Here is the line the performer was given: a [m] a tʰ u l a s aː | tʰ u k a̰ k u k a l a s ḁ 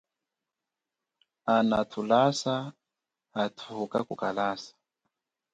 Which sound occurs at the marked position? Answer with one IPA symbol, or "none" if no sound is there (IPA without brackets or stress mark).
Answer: n